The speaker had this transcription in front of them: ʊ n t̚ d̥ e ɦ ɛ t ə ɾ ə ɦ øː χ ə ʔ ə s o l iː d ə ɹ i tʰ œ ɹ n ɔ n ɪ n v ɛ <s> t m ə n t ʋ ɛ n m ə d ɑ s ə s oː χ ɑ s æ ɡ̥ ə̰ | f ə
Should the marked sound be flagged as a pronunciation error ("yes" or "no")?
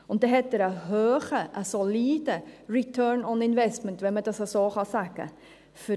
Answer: no